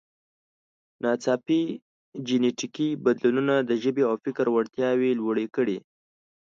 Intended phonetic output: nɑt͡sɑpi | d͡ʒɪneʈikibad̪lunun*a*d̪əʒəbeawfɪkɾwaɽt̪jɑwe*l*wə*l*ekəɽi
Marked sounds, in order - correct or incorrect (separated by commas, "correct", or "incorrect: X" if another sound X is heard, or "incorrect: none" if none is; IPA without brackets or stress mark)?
correct, correct, incorrect: ɽ